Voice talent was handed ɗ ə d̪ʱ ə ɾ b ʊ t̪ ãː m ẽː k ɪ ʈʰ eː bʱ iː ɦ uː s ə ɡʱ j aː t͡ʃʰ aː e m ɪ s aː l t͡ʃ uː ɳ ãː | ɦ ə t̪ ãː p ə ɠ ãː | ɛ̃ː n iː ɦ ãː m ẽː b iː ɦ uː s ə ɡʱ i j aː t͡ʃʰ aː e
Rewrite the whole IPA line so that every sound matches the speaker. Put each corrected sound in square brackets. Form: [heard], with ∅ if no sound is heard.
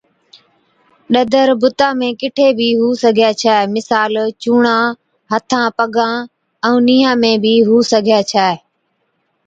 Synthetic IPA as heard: ɗ ə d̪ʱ ə ɾ b ʊ t̪ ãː m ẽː k ɪ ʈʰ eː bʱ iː ɦ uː s ə ɡʱ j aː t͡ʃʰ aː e m ɪ s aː l t͡ʃ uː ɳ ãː | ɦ ə [t̪ʰ] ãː p ə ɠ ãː | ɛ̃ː n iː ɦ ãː m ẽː b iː ɦ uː s ə ɡʱ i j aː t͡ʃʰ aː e